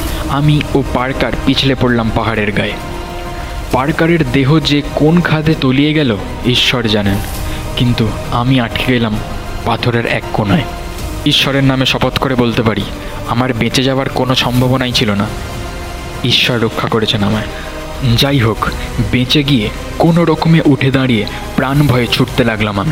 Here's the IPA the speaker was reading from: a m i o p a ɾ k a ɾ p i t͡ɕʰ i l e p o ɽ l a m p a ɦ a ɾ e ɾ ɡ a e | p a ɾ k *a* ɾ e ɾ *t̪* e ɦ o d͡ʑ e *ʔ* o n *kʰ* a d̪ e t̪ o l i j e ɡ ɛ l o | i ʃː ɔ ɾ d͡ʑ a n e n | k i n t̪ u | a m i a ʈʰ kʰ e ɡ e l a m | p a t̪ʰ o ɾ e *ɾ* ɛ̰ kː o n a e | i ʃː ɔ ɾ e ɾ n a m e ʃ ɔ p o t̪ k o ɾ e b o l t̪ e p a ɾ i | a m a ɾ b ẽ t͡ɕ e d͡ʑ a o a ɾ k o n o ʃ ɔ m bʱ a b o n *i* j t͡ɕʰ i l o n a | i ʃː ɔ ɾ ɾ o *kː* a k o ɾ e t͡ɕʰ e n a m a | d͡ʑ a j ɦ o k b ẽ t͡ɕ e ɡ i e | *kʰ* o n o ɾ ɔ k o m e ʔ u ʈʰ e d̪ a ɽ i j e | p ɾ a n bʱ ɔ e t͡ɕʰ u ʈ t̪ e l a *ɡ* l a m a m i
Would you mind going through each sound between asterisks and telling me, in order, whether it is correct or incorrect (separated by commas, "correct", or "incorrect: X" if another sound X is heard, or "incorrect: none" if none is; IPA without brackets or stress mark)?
correct, incorrect: d̪, incorrect: k, correct, correct, incorrect: a, incorrect: kʰː, incorrect: k, correct